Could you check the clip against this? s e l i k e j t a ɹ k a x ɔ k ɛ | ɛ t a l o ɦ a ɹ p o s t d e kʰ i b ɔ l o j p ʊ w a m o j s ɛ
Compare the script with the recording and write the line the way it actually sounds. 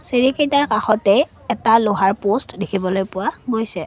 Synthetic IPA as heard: s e ɹ i k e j t a ɹ k a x ɔ t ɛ | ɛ t a l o ɦ a ɹ p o s t d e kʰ i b ɔ l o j p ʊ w a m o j s ɛ

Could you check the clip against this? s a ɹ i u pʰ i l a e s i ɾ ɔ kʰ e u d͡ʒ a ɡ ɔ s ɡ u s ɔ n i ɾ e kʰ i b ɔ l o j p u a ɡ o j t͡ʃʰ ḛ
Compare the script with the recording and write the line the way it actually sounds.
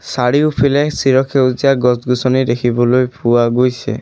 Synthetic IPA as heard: s a ɽ i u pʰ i l a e s i ɾ ɔ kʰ e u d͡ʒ a ɡ ɔ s ɡ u s ɔ n i ɾ e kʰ i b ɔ l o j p u a ɡ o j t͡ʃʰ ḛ

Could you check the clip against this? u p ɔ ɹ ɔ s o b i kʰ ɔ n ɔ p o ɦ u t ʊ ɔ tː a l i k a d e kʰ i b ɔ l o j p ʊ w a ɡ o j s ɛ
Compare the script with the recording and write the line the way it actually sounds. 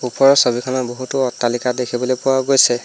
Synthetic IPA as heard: u p ɔ ɹ ɔ s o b i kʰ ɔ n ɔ b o ɦ u t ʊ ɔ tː a l i k a d e kʰ i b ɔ l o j p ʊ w a ɡ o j s ɛ

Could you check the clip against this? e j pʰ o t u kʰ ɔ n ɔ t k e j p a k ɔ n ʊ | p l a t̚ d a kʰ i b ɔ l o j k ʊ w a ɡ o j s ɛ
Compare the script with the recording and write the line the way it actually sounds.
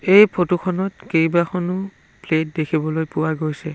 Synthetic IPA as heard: e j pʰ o t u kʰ ɔ n ɔ t k e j b a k ɔ n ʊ | p l e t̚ d e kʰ i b ɔ l o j p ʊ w a ɡ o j s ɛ

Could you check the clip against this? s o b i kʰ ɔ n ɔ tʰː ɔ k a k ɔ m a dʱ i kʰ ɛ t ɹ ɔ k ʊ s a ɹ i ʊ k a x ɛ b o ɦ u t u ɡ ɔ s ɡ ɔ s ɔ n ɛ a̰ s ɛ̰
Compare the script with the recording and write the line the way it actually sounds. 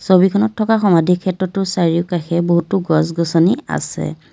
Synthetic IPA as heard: s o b i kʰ ɔ n ɔ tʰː ɔ k a x ɔ m a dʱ i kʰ ɛ t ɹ ɔ t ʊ s a ɹ i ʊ k a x ɛ b o ɦ u t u ɡ ɔ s ɡ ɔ s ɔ n i a̰ s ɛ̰

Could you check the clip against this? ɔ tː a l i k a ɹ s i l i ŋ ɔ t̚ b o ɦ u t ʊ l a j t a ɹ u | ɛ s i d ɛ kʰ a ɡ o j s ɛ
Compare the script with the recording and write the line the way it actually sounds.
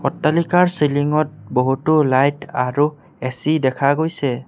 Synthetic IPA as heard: ɔ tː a l i k a ɹ s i l i ŋ ɔ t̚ b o ɦ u t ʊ l a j t a ɹ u | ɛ s i d ɛ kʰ a ɡ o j s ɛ

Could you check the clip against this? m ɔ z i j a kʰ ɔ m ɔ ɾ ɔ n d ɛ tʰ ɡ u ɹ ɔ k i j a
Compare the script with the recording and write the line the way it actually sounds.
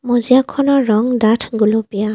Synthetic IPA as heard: m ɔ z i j a kʰ ɔ n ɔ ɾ ɔ ŋ d a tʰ ɡ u l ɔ p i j a

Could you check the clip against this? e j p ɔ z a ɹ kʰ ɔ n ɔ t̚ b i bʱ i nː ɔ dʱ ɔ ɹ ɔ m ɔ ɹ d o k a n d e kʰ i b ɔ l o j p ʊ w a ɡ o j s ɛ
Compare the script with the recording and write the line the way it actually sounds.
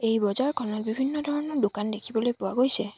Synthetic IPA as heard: e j b ɔ z a ɹ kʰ ɔ n ɔ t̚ b i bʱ i nː ɔ dʱ ɔ ɹ ɔ n ɔ ɹ d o k a n d e kʰ i b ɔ l o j p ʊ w a ɡ o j s ɛ

